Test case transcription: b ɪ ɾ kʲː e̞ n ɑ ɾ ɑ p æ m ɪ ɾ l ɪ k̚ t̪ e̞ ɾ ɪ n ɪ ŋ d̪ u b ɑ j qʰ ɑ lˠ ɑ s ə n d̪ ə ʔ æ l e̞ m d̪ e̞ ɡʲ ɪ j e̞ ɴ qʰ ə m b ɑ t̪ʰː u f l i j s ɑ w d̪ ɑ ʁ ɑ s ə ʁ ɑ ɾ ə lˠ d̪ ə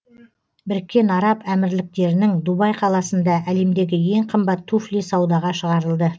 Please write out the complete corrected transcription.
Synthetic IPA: b ɪ ɾ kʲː e̞ n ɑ ɾ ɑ p æ m ɪ ɾ l ɪ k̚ t̪ e̞ ɾ ɪ n ɪ ŋ d̪ u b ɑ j qʰ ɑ lˠ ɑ s ə n d̪ ɑ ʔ æ l e̞ m d̪ e̞ ɡʲ ɪ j e̞ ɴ qʰ ə m b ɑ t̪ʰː u f l i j s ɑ w d̪ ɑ ʁ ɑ ʃ ə ʁ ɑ ɾ ə lˠ d̪ ə

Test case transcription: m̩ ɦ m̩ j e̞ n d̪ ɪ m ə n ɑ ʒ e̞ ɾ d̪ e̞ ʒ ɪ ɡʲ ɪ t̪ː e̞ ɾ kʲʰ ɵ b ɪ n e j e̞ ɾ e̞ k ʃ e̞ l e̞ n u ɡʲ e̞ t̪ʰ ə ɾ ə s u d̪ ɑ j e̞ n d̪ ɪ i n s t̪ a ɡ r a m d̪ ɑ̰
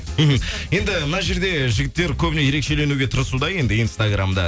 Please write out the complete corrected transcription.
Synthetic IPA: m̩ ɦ m̩ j e̞ n d̪ ɪ m ə n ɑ ʒ e̞ ɾ d̪ e̞ ʒ ɪ ɡʲ ɪ t̪ː e̞ ɾ kʲʰ ɵ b ɪ n e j e̞ ɾ e̞ k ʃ e̞ l e̞ n u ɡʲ e̞ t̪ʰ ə ɾ ə s u d̪ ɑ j e̞ n d̪ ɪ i n s t̪ a ɡ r a m d̪ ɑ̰

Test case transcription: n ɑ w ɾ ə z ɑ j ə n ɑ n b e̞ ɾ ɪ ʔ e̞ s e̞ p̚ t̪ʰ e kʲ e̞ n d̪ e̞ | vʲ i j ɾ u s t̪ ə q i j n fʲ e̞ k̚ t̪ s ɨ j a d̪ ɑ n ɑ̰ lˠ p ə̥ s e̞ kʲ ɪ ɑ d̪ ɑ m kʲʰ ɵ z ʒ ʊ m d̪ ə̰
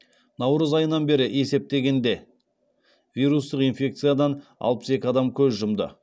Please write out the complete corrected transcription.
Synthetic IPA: n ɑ w ɾ ə z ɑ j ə n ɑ n b e̞ ɾ ɪ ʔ e̞ s e̞ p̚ t̪ e ɡʲ e̞ n d̪ e̞ | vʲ i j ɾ u s t̪ ə q i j n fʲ e̞ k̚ t̪ s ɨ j a d̪ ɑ n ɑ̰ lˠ p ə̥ s e̞ kʲ ɪ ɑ d̪ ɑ m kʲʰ ɵ z ʒ ʊ m d̪ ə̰

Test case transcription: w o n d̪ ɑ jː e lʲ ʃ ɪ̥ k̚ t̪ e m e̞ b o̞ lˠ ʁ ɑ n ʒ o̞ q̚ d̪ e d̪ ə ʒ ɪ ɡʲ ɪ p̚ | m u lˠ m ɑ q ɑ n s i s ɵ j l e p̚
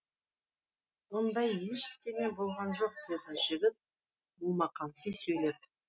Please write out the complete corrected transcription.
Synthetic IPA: w o n d̪ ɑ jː e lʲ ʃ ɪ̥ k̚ t̪ e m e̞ b o̞ lˠ ʁ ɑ n ʒ o̞ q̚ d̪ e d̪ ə ʒ ɪ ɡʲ ɪ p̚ | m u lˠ m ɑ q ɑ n s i s ɵ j l e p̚

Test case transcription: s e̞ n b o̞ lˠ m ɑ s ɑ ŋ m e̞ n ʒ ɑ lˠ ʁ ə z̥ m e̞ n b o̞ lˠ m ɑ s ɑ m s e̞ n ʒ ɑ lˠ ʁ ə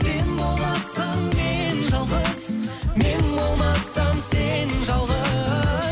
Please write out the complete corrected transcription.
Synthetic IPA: s e̞ n b o̞ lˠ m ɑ s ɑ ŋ m e̞ n ʒ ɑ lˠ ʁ ə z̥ m e̞ n b o̞ lˠ m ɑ s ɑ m s e̞ n ʒ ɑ lˠ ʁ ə

